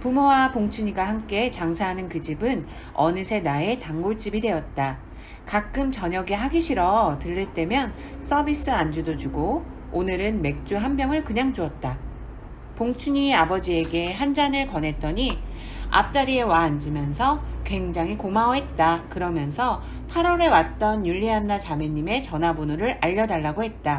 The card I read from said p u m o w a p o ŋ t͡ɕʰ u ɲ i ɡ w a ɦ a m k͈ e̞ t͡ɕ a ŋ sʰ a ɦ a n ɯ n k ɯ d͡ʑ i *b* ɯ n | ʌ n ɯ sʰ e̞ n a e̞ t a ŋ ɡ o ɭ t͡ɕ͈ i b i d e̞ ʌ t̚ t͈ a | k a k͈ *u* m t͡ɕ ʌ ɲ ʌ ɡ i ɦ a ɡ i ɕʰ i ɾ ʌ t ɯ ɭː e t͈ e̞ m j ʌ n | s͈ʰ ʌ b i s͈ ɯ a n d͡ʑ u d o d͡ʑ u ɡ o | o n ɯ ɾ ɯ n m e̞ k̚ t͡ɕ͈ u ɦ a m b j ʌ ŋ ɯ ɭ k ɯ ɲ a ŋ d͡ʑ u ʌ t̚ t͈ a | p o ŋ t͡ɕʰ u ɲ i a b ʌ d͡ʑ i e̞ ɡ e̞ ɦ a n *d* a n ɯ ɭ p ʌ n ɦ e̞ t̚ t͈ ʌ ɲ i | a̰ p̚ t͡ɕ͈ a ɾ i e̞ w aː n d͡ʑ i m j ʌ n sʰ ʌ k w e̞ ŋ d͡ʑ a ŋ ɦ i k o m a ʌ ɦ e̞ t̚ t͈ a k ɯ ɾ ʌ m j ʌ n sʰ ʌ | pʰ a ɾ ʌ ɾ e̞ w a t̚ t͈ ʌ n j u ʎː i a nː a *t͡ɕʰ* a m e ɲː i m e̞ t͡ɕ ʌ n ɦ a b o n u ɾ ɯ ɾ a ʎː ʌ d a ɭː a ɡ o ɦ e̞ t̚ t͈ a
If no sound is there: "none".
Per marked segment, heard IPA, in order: b, ɯ, d͡ʑ, t͡ɕ

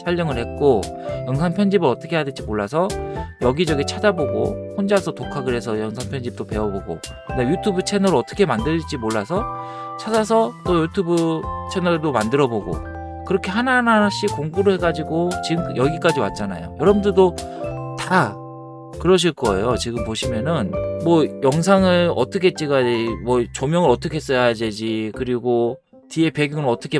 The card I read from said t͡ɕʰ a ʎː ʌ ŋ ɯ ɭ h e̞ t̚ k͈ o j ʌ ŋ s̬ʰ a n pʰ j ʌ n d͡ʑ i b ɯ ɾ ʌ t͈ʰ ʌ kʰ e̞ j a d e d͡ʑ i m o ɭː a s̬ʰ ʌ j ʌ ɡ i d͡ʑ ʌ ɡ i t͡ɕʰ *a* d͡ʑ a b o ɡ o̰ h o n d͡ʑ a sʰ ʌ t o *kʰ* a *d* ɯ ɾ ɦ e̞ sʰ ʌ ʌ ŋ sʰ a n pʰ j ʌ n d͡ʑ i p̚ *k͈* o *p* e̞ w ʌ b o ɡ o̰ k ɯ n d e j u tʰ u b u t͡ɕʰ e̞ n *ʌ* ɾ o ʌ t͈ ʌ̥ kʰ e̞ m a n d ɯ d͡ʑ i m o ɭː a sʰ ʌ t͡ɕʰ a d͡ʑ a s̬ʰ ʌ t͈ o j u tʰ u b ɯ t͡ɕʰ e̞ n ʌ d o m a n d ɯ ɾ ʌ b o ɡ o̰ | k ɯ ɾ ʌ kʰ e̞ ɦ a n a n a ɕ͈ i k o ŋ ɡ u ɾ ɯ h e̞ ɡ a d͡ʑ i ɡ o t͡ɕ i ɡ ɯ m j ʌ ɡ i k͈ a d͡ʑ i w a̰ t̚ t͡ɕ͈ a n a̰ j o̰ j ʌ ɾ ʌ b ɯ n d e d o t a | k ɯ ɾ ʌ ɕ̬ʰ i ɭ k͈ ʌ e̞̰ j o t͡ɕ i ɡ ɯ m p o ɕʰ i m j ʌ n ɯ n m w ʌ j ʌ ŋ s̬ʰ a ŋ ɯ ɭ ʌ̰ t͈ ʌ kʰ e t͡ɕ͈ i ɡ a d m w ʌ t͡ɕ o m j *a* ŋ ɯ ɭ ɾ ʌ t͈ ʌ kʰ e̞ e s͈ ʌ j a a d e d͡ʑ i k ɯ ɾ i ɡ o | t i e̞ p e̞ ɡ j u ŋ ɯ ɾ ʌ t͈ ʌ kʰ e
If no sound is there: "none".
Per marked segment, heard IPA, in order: a, kʰ, ɡ, t͈, p, ʌ, ʌ

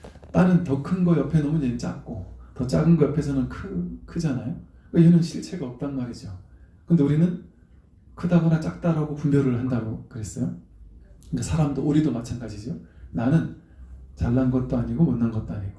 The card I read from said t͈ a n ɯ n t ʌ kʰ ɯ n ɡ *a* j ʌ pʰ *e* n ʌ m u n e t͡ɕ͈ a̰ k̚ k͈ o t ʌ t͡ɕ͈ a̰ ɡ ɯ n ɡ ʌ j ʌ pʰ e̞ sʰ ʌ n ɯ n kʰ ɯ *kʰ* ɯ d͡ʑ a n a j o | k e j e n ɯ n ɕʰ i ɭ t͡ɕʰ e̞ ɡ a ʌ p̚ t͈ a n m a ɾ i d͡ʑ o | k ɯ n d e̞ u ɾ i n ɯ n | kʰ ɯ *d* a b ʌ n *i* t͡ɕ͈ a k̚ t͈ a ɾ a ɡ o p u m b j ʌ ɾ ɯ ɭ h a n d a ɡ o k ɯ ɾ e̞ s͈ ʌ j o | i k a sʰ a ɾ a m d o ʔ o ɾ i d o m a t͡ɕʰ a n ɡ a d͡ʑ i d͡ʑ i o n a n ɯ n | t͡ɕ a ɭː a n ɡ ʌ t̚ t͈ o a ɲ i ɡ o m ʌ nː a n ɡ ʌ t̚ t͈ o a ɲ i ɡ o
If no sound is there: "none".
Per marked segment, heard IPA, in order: ʌ, e, kʰ, d, a

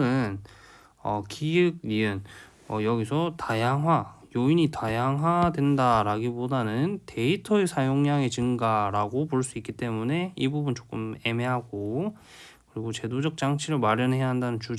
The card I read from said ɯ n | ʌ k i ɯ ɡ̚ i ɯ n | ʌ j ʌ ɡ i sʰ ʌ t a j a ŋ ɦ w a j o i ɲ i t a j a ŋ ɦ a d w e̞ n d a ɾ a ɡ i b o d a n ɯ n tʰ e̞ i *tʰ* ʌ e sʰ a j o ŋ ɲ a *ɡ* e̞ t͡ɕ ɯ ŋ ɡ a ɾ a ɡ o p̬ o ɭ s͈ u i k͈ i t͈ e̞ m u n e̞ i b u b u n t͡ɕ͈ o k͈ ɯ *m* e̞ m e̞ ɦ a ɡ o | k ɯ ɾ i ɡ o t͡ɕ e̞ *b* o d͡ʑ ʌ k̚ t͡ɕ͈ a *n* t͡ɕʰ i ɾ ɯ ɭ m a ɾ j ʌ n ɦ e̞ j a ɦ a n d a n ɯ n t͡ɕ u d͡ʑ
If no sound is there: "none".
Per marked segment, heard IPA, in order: tʰ, ŋ, m, d, ŋ

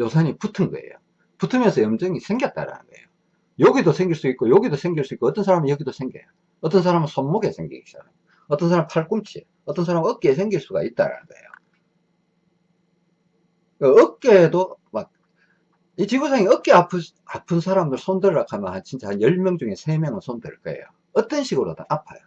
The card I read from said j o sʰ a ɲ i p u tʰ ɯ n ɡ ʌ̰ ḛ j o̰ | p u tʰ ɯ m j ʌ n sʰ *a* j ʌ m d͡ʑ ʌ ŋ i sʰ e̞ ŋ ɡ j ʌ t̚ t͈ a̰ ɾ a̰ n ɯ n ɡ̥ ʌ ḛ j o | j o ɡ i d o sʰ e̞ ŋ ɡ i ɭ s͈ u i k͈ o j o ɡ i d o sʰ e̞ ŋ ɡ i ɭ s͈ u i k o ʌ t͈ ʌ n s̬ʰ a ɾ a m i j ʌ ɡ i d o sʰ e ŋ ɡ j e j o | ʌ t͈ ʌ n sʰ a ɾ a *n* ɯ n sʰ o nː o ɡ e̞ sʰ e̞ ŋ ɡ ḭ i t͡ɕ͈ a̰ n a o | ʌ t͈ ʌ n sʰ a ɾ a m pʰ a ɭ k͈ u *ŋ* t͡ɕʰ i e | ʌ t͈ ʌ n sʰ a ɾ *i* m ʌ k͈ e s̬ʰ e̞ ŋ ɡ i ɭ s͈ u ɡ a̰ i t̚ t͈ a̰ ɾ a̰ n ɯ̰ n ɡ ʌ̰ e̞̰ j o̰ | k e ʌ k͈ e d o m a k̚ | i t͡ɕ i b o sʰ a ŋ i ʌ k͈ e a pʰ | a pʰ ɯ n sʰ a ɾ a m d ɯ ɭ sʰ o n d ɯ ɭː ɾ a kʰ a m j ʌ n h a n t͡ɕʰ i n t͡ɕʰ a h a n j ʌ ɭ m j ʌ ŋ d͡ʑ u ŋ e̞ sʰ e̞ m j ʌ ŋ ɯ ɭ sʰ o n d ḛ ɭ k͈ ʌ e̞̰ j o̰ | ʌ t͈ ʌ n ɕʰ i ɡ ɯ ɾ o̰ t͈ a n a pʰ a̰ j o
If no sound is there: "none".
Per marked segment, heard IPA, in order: ʌ, m, m, a

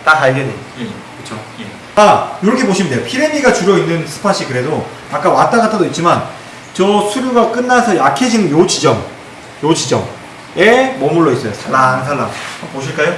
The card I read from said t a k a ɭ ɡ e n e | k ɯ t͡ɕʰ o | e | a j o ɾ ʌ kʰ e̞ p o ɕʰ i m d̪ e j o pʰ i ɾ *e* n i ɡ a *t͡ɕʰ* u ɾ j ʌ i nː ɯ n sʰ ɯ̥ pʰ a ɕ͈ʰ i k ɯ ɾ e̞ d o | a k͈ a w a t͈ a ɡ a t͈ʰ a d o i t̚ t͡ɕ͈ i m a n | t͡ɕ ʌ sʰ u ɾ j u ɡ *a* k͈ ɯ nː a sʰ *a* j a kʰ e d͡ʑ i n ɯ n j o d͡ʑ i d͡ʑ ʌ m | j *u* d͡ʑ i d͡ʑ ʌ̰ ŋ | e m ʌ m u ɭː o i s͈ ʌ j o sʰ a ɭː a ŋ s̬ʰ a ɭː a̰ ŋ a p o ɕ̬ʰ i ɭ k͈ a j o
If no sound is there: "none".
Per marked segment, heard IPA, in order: e, t͡ɕ, a, ʌ, o

